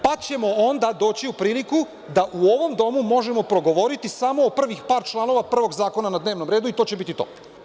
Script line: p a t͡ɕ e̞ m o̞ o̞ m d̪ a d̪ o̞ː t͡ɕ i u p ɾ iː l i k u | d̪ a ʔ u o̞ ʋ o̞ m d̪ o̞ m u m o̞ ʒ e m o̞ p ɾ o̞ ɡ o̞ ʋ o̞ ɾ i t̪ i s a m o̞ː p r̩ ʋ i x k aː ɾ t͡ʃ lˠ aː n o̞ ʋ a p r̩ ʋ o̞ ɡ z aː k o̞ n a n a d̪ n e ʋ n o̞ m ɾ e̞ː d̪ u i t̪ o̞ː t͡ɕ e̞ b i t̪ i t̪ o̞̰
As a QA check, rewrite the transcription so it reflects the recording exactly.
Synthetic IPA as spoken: p a t͡ɕ e̞ m o̞ o̞ n d̪ a d̪ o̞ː t͡ɕ i u p ɾ iː l i k u | d̪ a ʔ u o̞ ʋ o̞ m d̪ o̞ m u m o̞ ʒ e m o̞ p ɾ o̞ ɡ o̞ ʋ o̞ ɾ i t̪ i s a m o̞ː p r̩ ʋ i x p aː ɾ t͡ʃ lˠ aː n o̞ ʋ a p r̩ ʋ o̞ ɡ z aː k o̞ n a n a d̪ n e ʋ n o̞ m ɾ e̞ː d̪ u i t̪ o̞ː t͡ɕ e̞ b i t̪ i t̪ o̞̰